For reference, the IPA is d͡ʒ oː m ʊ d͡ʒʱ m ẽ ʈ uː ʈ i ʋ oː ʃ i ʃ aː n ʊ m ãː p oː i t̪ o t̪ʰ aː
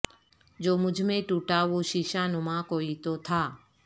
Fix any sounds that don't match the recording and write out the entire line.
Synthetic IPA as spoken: d͡ʒ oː m ʊ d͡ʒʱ m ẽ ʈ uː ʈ a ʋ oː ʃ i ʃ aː n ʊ m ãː k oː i t̪ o t̪ʰ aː